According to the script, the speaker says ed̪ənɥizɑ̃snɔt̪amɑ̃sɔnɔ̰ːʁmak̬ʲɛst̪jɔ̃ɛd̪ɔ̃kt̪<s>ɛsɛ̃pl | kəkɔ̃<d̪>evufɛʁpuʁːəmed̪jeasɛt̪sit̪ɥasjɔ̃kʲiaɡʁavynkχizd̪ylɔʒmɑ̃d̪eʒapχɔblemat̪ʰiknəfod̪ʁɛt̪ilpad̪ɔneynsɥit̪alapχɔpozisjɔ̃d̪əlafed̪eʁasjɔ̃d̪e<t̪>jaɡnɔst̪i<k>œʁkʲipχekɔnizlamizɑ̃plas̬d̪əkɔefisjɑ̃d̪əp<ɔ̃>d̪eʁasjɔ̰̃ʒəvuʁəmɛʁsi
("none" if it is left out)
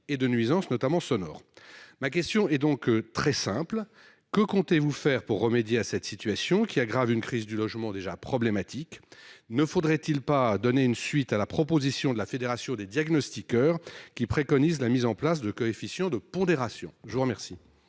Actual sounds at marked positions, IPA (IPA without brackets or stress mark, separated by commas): χ, t̪, d̪, k, ɔ̃